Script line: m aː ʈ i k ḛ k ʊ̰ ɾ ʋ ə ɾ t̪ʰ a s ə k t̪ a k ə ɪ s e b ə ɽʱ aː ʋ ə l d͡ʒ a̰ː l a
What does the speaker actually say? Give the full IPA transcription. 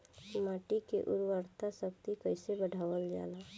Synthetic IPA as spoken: m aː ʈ i k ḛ ʔ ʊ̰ ɾ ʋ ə ɾ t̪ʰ a s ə k t̪ i k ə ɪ s e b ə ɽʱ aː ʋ ə l d͡ʒ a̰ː l a

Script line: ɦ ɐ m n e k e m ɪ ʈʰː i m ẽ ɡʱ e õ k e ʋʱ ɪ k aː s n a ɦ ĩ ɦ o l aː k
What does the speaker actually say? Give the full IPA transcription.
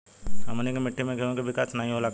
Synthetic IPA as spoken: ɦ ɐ m n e k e m ɪ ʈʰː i m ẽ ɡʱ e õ k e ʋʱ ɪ k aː s n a ɦ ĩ ɦ o l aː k

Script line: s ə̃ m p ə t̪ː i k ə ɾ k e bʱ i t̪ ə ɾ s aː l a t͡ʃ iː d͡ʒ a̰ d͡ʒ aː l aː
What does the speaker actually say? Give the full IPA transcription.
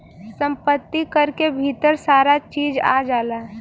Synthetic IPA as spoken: s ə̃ m p ə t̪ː i k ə ɾ k e bʱ i t̪ ə ɾ s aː ɾ a t͡ʃ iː d͡ʒ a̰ d͡ʒ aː l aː

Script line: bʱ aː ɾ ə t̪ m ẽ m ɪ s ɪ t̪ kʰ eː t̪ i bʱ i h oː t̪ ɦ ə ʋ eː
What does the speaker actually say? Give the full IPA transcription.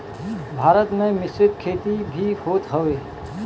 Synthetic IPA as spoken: bʱ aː ɾ ə t̪ m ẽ m ɪ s ɪ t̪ kʰ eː t̪ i bʱ i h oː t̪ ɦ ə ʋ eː

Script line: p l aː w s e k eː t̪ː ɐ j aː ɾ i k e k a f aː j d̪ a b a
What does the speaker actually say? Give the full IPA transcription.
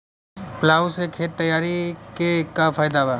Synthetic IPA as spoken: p l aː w s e kʰ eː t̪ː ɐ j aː ɾ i k e k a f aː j d̪ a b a

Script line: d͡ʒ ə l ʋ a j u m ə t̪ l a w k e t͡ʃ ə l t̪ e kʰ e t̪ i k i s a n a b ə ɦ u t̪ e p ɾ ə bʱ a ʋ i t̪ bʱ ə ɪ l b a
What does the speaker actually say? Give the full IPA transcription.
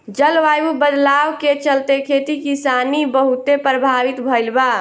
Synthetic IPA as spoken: d͡ʒ ə l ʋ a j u b ə d̪ l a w k e t͡ʃ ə l t̪ e kʰ e t̪ i k i s a n i b ə ɦ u t̪ e p ɾ ə bʱ a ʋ i t̪ bʱ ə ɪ l b a

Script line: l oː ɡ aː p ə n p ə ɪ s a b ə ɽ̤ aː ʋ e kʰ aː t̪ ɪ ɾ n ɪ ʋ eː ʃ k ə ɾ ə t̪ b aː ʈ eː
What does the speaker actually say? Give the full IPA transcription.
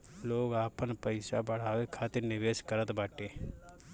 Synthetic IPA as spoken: l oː ɡ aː p ə n p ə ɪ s a b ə ɽ̤ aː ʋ e kʰ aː t̪ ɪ ɾ n ɪ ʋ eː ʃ k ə ɾ ə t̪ b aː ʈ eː

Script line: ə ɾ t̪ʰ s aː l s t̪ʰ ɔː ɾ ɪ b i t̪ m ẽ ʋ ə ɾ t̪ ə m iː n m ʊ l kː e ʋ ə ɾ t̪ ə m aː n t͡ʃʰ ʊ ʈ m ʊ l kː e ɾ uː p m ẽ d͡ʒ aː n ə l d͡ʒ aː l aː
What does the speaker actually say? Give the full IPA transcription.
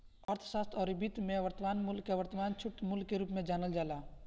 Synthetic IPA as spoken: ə ɾ t̪ʰ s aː s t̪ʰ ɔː ɾ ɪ b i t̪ m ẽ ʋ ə ɾ t̪ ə m aː n m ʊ l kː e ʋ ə ɾ t̪ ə m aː n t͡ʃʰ ʊ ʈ m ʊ l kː e ɾ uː p m ẽ d͡ʒ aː n ə l d͡ʒ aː l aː

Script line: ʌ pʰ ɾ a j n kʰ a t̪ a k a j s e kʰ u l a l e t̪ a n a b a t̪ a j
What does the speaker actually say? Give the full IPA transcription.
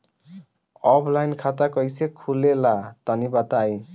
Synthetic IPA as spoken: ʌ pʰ l a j n kʰ a t̪ a k ʌ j s e kʰ u l e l a t̪ ʌ n i b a t̪ a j

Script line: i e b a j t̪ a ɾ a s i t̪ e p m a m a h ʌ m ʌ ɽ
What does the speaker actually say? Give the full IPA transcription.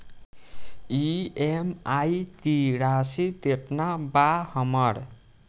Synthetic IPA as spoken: i e m a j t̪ i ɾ a s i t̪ e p n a b a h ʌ m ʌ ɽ

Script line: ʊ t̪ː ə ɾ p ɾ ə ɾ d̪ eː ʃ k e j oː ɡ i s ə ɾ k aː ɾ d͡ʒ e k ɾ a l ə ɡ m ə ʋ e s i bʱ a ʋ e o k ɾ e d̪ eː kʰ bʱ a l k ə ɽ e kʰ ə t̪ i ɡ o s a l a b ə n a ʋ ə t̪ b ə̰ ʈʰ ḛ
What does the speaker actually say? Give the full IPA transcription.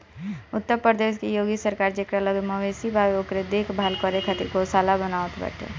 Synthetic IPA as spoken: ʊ t̪ː ə ɾ p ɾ ə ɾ d̪ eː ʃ k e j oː ɡ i s ə ɾ k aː ɾ d͡ʒ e k ɾ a l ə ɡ m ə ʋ e s i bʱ a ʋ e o k ɾ e d̪ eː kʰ bʱ a l k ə ɾ e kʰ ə t̪ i ɡ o s a l a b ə n a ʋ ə t̪ b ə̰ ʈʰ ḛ

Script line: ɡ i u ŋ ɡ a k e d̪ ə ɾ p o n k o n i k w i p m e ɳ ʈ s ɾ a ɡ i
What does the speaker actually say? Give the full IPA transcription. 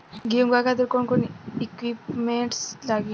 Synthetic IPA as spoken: ɡ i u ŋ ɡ a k a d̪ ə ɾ k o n k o n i k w i p m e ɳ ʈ s l a ɡ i

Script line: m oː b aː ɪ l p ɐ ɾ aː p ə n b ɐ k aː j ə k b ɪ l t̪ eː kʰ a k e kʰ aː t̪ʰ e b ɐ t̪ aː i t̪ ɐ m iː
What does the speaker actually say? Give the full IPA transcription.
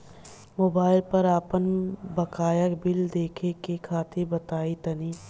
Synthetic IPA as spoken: m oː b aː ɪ l p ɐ ɾ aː p ə n b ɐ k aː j ə k b ɪ l d̪ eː kʰ e k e kʰ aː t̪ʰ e b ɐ t̪ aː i t̪ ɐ n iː

